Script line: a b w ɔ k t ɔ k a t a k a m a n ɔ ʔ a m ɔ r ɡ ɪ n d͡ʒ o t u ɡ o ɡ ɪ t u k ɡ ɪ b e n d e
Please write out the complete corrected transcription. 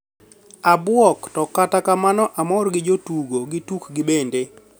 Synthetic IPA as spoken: a b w ɔ k t ɔ k a t a k a m a n ɔ ʔ a m ɔ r ɡ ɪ d͡ʒ o t u ɡ o ɡ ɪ t u k ɡ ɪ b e n d e